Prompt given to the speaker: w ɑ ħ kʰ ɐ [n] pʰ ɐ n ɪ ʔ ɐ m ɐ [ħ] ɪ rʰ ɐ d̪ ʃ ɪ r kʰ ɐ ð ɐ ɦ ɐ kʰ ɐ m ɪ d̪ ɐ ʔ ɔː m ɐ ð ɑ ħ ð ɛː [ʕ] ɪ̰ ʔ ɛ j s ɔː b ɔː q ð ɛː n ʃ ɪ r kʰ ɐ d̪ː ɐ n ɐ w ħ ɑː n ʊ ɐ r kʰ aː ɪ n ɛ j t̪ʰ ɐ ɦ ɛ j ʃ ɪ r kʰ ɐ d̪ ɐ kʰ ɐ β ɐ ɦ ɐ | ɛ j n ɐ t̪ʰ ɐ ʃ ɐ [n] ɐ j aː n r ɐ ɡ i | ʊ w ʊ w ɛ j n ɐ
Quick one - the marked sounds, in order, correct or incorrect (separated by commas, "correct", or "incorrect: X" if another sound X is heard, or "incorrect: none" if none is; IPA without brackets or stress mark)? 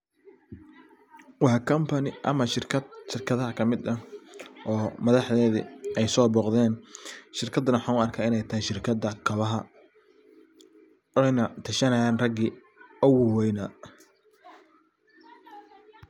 incorrect: m, incorrect: ʃ, incorrect: ð, correct